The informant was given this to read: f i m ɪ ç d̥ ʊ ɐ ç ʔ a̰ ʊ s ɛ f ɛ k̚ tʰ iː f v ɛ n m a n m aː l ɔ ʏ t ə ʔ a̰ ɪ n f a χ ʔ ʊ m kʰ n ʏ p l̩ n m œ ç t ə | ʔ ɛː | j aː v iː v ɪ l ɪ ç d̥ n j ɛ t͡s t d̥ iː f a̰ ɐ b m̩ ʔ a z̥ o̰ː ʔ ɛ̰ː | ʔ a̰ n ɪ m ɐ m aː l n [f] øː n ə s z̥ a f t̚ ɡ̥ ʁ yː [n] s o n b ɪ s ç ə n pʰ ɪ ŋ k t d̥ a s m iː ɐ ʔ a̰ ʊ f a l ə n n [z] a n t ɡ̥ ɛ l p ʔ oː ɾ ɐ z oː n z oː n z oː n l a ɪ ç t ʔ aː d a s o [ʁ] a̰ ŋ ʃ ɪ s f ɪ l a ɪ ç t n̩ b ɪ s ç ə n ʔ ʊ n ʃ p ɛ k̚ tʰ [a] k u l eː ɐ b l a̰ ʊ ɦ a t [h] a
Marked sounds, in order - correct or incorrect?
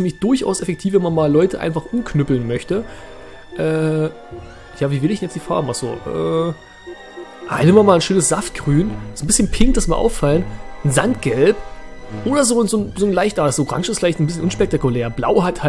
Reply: incorrect: ʃ, correct, correct, correct, correct, correct

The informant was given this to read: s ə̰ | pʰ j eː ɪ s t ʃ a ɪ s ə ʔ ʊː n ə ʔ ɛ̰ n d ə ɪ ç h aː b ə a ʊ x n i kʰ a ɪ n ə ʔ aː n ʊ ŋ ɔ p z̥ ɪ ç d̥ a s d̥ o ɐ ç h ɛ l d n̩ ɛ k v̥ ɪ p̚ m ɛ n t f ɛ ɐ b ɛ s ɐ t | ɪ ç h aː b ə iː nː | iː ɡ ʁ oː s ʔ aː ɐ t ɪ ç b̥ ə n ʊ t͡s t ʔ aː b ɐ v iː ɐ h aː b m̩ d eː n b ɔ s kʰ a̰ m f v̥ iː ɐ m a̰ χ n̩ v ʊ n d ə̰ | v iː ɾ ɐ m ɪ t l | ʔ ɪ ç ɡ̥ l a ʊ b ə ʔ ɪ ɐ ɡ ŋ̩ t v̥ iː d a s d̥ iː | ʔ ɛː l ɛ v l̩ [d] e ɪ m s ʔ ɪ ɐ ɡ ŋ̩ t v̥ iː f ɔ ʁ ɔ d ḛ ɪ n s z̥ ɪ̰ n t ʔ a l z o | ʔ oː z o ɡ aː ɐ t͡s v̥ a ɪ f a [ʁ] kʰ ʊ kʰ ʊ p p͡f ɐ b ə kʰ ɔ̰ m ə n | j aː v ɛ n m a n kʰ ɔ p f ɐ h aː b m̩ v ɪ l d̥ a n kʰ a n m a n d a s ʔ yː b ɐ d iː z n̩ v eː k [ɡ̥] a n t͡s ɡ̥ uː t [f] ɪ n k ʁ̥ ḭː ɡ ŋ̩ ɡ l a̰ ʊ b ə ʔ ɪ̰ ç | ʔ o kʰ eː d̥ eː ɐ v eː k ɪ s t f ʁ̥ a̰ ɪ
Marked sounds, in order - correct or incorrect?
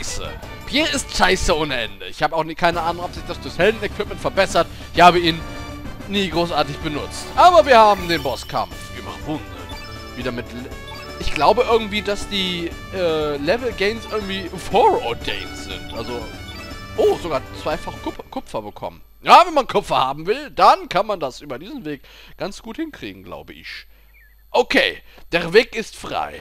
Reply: incorrect: ɡ, incorrect: χ, correct, incorrect: h

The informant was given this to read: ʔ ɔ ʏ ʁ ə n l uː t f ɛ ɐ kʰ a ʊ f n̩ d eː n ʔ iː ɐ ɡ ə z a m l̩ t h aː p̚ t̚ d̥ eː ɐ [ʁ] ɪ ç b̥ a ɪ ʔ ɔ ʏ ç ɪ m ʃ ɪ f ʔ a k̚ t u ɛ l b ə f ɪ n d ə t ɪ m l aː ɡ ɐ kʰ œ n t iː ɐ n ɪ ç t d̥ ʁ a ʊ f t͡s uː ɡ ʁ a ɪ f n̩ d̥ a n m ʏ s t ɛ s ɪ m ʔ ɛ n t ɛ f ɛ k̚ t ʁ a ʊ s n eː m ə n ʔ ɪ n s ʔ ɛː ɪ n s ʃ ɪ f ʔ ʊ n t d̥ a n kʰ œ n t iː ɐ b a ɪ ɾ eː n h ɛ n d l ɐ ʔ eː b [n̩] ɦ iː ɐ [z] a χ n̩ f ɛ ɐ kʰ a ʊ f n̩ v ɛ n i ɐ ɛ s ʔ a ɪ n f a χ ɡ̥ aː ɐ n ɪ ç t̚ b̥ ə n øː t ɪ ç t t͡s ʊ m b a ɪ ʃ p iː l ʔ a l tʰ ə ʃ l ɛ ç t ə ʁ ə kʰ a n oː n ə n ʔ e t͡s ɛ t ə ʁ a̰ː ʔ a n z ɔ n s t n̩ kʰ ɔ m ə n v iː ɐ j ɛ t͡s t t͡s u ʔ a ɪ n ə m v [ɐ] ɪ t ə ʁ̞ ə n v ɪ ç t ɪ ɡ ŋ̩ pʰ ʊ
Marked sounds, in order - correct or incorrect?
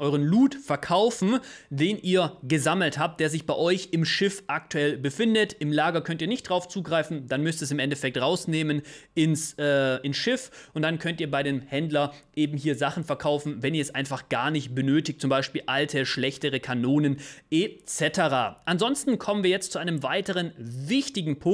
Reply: incorrect: z, incorrect: m̩, correct, incorrect: a

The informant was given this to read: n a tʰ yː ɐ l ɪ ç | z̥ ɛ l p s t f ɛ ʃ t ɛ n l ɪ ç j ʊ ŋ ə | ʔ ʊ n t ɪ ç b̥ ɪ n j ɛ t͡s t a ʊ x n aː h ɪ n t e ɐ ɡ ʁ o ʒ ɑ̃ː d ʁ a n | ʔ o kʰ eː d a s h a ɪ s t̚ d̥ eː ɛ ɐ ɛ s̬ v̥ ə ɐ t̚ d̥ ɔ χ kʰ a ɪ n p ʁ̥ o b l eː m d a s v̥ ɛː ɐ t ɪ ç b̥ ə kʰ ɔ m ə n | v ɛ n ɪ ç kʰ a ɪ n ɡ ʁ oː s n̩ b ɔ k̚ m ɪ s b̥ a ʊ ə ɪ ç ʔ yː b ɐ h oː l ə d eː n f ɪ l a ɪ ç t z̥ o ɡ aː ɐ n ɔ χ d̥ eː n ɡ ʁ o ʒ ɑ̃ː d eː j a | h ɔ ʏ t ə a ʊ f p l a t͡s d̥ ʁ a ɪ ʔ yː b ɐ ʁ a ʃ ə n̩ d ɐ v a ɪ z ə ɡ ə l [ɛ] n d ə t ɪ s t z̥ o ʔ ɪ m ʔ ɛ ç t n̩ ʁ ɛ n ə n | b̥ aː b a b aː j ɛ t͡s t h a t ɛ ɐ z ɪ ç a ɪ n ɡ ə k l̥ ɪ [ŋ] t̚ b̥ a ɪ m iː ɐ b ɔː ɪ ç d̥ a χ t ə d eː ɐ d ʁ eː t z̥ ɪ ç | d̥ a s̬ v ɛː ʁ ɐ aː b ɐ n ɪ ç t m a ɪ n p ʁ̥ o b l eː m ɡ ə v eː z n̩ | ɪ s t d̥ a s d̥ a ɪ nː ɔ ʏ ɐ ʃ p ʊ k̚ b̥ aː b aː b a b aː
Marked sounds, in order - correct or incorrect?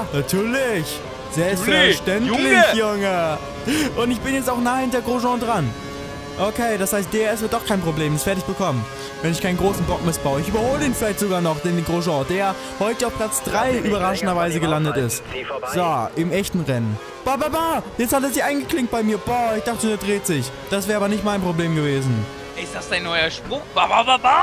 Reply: incorrect: a, correct

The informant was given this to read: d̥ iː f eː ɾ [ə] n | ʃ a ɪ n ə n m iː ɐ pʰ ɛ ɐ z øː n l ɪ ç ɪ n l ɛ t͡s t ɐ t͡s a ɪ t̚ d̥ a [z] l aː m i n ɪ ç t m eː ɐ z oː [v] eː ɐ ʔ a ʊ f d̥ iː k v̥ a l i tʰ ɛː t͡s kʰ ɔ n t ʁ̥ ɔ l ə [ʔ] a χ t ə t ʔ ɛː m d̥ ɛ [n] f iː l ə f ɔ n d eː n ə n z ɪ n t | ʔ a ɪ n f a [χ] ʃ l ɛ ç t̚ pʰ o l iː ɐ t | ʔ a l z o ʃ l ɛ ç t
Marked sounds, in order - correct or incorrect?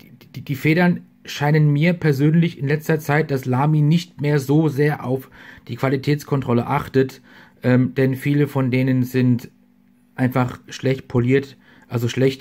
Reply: incorrect: ɐ, incorrect: s, incorrect: z, correct, correct, correct

